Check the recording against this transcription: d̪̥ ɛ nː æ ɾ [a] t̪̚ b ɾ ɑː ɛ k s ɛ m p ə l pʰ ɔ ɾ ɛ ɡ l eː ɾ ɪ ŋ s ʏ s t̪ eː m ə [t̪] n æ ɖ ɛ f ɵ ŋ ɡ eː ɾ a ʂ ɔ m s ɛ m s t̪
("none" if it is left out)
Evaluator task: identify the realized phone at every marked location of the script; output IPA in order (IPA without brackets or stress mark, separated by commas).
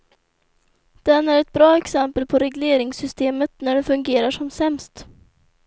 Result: ɛ, t̪